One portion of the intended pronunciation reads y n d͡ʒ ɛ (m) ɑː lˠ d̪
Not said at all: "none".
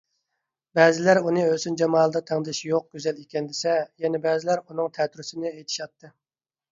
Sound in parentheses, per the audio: m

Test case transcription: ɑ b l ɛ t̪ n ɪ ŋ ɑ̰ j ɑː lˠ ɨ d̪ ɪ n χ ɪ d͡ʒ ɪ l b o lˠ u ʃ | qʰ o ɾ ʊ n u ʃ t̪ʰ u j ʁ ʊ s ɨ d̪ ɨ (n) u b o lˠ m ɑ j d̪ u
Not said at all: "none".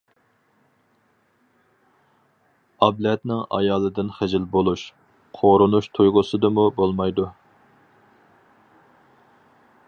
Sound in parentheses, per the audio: m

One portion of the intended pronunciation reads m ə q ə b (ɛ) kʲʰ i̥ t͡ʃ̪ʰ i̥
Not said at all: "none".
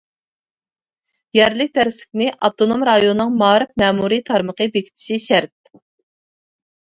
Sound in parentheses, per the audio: e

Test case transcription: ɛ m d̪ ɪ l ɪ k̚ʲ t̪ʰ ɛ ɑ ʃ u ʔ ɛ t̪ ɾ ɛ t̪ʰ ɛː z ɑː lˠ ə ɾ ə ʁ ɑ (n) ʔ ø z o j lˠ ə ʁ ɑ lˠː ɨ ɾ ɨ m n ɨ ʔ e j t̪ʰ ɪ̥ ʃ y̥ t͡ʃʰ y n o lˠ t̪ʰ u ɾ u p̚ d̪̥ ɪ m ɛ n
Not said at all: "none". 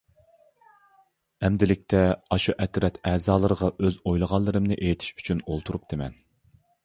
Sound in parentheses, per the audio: none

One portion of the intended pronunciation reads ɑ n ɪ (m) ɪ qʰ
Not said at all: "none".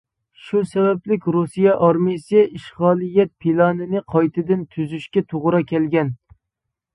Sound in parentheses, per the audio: n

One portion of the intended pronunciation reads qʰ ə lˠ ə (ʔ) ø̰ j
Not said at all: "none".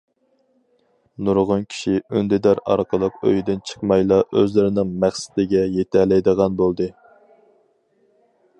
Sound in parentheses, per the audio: q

